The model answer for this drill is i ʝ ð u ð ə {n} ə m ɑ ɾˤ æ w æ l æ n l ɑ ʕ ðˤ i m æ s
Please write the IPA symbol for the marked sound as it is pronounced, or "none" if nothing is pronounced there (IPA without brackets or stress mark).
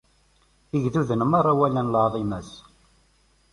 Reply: n